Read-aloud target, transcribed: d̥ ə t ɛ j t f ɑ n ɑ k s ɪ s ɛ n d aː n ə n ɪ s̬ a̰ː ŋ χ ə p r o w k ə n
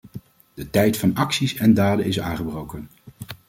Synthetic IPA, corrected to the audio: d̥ ə t ɛ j t f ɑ n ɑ k s i s ɛ n d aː d ə n ɪ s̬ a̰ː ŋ χ ə b r o w k ə n